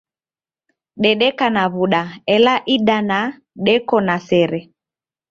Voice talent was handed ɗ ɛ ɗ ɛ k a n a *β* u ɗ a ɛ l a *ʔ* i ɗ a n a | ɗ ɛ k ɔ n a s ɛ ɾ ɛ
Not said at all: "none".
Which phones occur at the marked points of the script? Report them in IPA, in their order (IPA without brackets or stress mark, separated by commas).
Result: β, ʔ